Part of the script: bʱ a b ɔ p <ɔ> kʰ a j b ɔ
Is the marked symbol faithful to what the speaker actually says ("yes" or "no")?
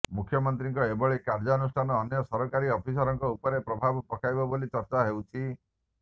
yes